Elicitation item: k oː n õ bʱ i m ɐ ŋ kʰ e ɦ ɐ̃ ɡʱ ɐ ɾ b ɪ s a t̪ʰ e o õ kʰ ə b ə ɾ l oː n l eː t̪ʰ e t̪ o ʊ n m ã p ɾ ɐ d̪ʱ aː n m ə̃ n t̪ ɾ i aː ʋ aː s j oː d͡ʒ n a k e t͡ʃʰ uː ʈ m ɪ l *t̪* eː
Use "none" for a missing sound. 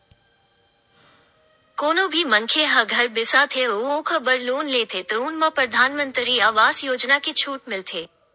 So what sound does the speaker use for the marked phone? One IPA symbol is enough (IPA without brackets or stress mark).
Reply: t̪ʰ